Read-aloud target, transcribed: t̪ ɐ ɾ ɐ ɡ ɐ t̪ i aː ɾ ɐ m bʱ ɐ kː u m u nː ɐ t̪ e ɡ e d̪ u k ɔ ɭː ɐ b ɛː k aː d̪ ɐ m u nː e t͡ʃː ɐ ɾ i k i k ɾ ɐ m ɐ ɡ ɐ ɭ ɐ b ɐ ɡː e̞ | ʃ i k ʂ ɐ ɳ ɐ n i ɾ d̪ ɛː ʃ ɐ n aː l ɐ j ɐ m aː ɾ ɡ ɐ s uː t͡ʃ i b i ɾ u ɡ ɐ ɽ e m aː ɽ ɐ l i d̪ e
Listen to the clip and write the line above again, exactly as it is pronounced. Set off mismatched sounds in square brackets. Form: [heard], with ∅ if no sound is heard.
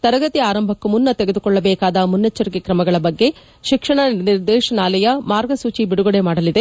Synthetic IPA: t̪ ɐ ɾ ɐ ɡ ɐ t̪ i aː ɾ ɐ m bʱ ɐ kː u m u nː ɐ t̪ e ɡ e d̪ u k ɔ ɭː ɐ b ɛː k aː d̪ ɐ m u nː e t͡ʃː ɐ ɾ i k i k ɾ ɐ m ɐ ɡ ɐ ɭ ɐ b ɐ ɡː e̞ | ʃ i k ʂ ɐ ɳ ɐ n i ɾ d̪ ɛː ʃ ɐ n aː l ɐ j ɐ m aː ɾ ɡ ɐ s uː t͡ʃ i b i [ɽ] u ɡ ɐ ɽ e m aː ɽ ɐ l i d̪ e